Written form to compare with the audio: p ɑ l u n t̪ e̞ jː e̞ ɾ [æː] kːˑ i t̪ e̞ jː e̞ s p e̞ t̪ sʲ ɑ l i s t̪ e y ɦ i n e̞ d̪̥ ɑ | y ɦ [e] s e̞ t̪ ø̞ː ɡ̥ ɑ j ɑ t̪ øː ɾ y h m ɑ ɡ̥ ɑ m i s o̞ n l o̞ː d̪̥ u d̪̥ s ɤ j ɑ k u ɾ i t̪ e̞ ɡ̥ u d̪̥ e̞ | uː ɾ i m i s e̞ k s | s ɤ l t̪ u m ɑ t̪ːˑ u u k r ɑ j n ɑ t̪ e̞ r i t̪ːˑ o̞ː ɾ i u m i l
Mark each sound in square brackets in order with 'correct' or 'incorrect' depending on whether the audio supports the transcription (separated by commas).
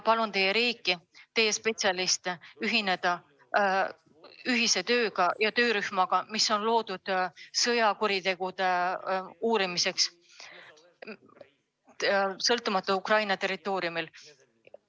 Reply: incorrect, incorrect